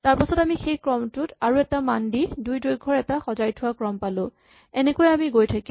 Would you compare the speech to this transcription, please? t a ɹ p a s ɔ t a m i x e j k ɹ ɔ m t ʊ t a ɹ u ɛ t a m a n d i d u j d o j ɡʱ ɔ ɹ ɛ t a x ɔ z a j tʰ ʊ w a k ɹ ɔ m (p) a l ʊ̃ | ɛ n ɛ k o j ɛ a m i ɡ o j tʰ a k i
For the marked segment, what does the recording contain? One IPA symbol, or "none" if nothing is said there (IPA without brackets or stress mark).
p